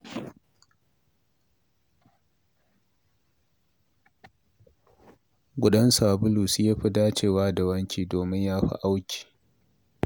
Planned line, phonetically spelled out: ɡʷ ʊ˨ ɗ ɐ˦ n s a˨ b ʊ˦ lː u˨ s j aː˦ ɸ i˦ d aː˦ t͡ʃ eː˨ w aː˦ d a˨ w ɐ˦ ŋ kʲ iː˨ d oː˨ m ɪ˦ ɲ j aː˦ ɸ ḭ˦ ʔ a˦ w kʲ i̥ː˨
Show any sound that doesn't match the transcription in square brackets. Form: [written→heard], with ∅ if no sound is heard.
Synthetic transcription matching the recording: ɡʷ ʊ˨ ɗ ɐ˦ n s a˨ b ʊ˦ [lː→l] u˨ s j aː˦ ɸ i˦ d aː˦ t͡ʃ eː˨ w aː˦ d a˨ w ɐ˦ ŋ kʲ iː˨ d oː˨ m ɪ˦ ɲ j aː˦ ɸ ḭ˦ ʔ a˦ w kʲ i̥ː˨